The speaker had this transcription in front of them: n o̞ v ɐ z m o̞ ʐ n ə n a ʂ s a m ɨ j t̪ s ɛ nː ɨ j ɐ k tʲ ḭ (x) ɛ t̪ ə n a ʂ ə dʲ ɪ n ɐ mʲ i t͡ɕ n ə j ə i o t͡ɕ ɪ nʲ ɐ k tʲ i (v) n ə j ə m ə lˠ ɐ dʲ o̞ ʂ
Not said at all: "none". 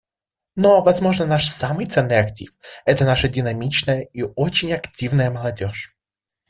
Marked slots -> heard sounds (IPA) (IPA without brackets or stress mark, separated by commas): f, v